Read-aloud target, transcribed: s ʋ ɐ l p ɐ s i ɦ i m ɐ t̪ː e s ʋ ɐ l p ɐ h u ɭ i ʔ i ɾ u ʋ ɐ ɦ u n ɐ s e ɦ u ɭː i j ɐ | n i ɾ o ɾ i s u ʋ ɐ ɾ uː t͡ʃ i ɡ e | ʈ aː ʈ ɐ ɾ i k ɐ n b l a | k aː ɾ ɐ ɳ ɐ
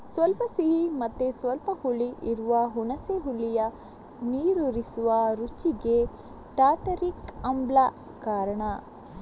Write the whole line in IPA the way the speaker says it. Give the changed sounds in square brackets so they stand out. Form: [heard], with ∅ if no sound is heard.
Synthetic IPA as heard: s ʋ ɐ l p ɐ s i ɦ i m ɐ t̪ː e s ʋ ɐ l p ɐ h u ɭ i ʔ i ɾ u ʋ ɐ ɦ u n ɐ s e ɦ u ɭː i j ɐ | n [iː] ɾ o ɾ i s u ʋ ɐ ɾ [u] t͡ʃ i ɡ e | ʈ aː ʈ ɐ ɾ i k ɐ [m] b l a | k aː ɾ ɐ ɳ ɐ